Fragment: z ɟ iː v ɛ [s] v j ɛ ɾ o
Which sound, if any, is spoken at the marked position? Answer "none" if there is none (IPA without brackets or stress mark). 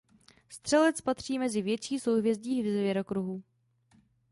z